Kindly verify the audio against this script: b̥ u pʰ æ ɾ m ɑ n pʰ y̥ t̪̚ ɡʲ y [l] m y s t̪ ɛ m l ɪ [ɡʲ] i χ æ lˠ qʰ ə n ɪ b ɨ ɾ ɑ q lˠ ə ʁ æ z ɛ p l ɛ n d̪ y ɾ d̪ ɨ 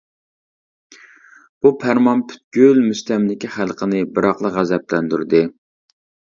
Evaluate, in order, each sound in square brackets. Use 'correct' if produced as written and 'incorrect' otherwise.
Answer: correct, incorrect

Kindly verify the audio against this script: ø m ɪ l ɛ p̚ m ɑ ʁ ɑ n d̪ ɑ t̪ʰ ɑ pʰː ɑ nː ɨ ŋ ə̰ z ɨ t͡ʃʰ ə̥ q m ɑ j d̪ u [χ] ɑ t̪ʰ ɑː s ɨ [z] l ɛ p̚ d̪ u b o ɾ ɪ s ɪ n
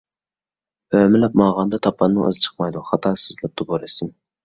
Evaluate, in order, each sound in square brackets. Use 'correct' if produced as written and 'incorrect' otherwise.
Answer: correct, correct

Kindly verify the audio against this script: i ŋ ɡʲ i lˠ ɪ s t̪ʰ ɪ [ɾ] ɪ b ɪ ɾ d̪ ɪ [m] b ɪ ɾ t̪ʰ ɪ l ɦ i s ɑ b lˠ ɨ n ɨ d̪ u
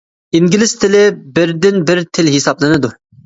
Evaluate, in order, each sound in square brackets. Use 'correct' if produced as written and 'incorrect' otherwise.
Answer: incorrect, incorrect

